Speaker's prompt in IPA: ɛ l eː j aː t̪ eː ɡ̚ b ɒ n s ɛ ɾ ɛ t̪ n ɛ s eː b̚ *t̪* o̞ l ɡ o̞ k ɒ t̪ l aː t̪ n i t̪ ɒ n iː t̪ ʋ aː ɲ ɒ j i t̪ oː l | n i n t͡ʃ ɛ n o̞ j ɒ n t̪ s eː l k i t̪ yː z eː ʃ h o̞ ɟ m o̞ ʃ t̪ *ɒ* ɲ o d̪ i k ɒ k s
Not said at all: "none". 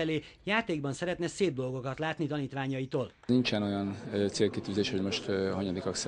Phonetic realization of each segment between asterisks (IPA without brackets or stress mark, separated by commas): d̪, ɒ